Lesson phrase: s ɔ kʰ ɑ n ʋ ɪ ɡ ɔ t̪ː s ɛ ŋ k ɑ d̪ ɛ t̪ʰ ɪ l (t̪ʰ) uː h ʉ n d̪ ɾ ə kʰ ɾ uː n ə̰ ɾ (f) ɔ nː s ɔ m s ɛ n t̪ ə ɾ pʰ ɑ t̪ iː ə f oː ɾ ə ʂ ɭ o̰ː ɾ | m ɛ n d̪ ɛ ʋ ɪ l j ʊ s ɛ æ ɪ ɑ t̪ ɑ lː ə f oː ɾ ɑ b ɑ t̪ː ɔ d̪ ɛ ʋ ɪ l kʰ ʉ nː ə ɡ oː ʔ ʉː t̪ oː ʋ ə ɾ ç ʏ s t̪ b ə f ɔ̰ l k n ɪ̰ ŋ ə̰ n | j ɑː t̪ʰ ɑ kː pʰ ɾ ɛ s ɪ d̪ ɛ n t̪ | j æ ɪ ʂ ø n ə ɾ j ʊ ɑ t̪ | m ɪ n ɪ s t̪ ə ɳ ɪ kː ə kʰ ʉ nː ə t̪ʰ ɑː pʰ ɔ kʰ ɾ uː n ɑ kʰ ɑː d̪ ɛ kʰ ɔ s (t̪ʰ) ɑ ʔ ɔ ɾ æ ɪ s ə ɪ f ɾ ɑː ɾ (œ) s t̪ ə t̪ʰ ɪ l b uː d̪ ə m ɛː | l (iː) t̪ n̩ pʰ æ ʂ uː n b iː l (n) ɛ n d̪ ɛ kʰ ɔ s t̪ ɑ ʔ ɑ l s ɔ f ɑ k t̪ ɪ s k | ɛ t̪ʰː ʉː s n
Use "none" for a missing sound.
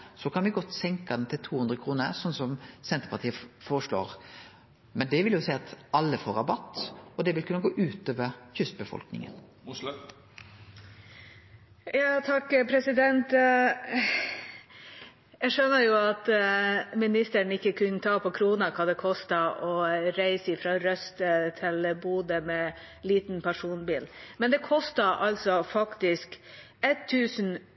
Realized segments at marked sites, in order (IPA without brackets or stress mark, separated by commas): t̪ʰ, s, t̪, œ, iː, m